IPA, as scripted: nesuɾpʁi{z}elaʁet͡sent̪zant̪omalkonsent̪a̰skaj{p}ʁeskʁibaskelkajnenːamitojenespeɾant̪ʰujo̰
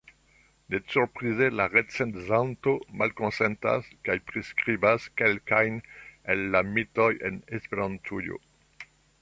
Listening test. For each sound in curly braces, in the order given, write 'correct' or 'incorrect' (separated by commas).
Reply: correct, correct